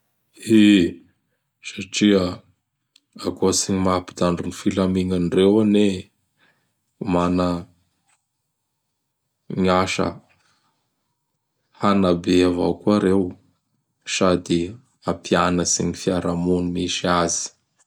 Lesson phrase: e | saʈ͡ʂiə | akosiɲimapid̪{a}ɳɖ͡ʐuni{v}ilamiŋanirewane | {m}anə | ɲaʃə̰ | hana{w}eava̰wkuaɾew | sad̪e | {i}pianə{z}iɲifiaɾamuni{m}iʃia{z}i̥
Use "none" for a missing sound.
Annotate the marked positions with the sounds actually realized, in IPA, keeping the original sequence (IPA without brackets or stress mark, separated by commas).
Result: a, f, m, b, a, s, m, z